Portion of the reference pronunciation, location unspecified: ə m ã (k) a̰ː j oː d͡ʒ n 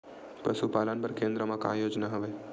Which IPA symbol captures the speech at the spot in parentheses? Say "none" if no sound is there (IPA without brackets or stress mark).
k